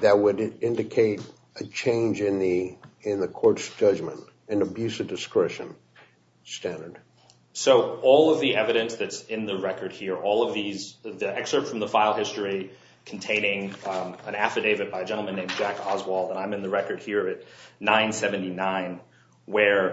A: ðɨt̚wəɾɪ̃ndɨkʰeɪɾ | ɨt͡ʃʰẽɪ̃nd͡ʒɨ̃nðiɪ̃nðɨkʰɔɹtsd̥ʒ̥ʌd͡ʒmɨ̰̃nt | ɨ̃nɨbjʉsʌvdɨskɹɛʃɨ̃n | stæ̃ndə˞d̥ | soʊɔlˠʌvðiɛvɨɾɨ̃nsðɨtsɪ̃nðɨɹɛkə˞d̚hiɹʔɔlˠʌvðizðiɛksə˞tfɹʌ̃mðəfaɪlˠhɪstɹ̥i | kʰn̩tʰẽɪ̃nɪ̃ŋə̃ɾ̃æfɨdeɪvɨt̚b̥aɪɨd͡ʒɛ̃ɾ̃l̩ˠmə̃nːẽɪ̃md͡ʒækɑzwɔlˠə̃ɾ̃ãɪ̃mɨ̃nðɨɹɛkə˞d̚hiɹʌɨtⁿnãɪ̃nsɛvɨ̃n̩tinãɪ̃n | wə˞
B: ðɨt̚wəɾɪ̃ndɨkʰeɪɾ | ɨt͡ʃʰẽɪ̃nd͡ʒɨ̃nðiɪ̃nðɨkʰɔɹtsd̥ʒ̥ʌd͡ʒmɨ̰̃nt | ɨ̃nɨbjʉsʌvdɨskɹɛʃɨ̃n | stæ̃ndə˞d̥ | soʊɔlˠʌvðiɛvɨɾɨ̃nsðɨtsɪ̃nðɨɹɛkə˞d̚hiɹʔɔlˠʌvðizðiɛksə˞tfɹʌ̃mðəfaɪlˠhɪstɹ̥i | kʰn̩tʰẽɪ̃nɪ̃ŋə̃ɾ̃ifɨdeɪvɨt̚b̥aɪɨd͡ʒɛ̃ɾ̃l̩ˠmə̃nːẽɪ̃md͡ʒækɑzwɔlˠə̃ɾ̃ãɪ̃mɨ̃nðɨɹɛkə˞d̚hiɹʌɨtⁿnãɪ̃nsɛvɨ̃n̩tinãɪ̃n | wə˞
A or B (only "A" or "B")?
A